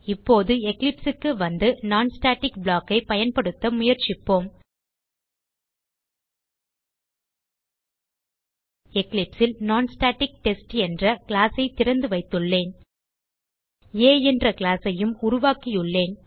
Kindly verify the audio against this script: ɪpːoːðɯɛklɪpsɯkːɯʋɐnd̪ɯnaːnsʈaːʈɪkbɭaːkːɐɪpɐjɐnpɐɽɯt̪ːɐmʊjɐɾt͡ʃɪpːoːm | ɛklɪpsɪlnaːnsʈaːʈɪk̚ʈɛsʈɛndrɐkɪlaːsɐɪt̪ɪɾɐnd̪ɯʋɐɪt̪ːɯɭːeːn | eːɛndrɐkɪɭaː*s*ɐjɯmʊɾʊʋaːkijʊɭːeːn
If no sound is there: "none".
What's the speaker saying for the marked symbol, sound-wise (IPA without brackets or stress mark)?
s